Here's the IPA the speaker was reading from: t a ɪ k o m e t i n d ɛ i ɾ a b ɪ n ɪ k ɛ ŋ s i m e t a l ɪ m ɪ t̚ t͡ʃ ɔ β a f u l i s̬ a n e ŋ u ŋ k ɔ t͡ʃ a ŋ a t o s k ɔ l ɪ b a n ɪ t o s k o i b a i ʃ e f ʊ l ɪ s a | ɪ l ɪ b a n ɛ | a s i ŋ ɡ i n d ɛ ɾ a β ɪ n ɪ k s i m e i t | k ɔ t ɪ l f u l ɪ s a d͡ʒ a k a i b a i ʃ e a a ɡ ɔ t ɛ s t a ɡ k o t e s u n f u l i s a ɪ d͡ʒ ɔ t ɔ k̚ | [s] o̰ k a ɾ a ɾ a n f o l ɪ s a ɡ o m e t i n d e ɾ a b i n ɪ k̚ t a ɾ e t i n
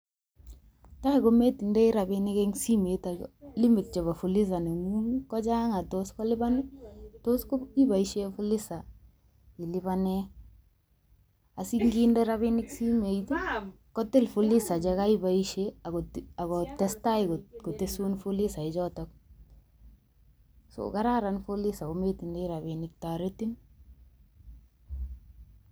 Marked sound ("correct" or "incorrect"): correct